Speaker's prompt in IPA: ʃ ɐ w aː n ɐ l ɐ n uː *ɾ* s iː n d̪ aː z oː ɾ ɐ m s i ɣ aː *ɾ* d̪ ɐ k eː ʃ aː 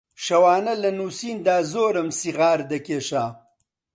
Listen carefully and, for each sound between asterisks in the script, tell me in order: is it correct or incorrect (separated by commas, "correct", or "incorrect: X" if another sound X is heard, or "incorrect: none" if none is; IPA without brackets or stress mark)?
incorrect: none, correct